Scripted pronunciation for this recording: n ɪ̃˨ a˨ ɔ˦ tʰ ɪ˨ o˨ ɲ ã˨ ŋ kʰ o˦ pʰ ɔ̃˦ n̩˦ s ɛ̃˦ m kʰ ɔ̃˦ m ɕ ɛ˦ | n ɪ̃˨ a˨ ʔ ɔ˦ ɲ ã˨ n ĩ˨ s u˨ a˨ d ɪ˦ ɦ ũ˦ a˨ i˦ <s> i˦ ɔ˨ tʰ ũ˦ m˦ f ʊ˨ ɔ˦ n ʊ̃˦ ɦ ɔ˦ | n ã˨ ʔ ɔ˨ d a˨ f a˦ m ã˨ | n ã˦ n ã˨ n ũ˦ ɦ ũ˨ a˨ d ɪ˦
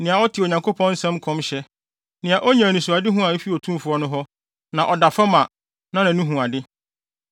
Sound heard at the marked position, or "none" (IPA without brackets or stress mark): f